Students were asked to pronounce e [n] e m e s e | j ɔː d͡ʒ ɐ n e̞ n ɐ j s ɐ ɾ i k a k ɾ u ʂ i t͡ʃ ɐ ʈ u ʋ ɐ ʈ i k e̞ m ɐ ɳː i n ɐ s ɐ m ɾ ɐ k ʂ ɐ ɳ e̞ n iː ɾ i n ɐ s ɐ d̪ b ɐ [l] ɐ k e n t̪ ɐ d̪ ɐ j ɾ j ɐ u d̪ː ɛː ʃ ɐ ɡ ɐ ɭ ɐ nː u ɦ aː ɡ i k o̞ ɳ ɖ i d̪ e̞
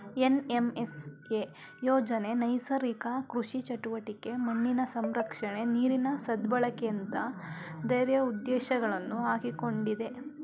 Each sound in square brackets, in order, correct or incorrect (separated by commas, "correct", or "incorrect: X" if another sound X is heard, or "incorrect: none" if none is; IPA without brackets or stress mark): correct, incorrect: ɭ